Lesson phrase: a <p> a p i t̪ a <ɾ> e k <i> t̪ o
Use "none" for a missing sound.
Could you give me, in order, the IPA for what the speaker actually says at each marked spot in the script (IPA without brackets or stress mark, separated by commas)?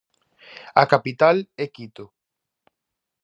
k, l, i